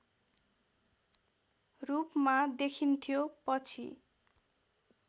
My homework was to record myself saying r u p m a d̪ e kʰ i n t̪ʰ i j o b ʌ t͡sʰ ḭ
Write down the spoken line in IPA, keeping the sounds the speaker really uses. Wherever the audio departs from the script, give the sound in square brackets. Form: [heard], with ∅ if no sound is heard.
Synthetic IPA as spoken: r u p m a d̪ e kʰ i n t̪ʰ i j o [p] ʌ t͡sʰ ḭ